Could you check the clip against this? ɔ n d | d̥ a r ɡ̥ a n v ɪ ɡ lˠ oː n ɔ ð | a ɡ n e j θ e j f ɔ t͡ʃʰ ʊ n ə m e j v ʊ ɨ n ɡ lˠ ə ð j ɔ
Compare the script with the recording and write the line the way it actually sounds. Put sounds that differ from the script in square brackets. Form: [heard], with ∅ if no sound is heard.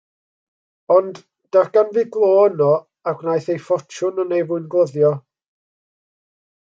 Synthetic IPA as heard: ɔ n d | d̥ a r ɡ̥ a n v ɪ ɡ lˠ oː n ɔ [∅] | a ɡ n [a] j θ e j f ɔ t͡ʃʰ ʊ n ə [n] e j v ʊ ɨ n ɡ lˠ ə ð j ɔ